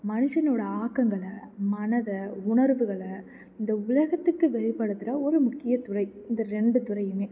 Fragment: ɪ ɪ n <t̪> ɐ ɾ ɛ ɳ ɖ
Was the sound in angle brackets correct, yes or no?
no